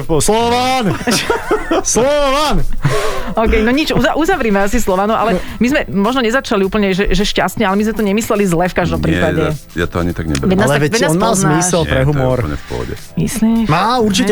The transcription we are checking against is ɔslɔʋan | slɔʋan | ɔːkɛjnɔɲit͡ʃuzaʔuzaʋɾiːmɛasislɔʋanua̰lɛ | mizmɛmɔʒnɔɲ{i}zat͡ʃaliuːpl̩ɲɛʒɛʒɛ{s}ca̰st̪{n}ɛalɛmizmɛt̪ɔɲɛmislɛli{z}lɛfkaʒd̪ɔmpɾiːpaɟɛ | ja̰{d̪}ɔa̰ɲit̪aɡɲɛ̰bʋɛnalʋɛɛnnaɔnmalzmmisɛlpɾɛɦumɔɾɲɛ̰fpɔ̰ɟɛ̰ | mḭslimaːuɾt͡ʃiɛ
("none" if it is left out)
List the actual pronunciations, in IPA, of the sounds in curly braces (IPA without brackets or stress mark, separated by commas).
ɛ, ʃ, ɲ, z, t̪